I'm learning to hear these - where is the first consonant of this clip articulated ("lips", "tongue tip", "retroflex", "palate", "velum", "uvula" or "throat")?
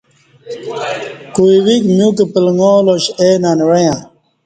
velum